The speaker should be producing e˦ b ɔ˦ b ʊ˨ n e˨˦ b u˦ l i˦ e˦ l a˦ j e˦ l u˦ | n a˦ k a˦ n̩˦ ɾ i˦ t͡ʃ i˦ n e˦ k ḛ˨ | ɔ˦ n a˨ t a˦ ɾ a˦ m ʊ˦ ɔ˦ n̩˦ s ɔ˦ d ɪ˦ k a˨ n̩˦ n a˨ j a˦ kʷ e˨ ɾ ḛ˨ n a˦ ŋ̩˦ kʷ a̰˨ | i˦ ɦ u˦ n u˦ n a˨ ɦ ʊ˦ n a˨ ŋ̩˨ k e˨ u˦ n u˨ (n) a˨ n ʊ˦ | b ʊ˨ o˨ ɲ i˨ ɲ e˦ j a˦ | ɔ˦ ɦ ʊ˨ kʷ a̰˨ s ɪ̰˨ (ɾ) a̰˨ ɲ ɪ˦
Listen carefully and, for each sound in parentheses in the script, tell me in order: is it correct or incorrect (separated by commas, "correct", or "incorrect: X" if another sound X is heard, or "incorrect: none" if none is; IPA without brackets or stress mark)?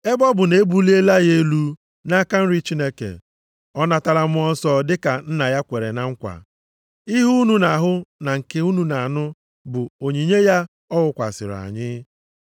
correct, correct